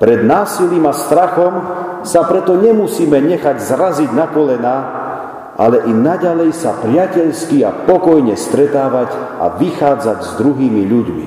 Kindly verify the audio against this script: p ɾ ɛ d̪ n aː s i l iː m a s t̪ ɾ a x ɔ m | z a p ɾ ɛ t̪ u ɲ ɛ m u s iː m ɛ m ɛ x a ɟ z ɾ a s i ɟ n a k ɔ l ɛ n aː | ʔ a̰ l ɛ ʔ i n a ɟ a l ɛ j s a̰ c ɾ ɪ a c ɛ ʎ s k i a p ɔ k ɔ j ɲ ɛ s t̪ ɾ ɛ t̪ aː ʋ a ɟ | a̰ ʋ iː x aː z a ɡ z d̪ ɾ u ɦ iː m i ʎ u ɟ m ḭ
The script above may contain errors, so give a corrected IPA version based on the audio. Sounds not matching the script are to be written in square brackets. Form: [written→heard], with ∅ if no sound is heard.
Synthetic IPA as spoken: p ɾ ɛ d̪ n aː s i l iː m a s t̪ ɾ a x ɔ m | [z→s] a p ɾ ɛ t̪ [u→ɔ] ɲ ɛ m u s iː m ɛ [m→ɲ] ɛ x a ɟ z ɾ a [s→z] i ɟ n a k ɔ l ɛ n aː | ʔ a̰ l ɛ ʔ i n a ɟ a l ɛ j s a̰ [c→p] ɾ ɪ a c ɛ ʎ s k i a p ɔ k ɔ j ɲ ɛ s t̪ ɾ ɛ t̪ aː ʋ a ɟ | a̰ ʋ [iː→i] x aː [z→d͡z] a [ɡ→ɟ] z d̪ ɾ u ɦ iː m i ʎ u ɟ m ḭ